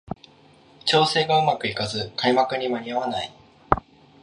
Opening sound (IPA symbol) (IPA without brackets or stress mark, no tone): t͡ɕ